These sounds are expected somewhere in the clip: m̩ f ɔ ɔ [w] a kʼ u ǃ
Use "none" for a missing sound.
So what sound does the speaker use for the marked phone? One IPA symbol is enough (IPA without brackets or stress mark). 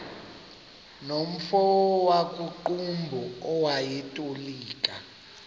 w